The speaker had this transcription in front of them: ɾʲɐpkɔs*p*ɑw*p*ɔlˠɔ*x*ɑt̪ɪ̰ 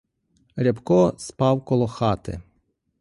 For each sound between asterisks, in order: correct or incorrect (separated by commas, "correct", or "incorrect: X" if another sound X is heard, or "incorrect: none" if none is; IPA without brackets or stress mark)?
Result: correct, incorrect: k, correct